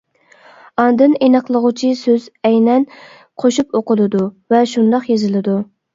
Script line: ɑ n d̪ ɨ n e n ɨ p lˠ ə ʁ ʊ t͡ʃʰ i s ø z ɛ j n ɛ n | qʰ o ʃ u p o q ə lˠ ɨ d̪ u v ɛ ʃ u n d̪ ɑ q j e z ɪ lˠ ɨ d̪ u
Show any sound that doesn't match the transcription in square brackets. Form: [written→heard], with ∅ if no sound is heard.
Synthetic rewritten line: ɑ n d̪ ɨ n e n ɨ [p→q] lˠ ə ʁ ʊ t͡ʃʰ i s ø z ɛ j n ɛ n | qʰ o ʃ u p o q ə lˠ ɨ d̪ u v ɛ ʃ u n d̪ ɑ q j e z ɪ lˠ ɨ d̪ u